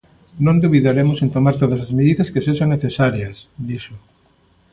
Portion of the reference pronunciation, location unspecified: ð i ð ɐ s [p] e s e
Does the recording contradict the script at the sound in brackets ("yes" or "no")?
yes